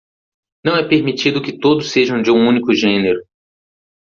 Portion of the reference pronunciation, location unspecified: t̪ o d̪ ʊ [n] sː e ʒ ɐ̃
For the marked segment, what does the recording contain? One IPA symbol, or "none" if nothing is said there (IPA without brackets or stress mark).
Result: none